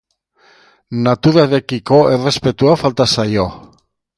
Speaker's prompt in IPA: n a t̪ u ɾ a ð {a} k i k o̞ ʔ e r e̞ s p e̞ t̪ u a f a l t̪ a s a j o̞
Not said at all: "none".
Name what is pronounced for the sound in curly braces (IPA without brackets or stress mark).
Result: e